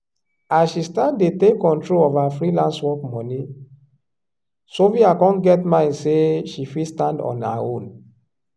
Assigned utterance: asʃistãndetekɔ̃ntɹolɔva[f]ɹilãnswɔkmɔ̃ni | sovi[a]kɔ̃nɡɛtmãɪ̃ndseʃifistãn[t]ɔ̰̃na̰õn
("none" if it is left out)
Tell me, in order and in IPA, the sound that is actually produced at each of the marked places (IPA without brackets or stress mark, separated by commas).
f, a, d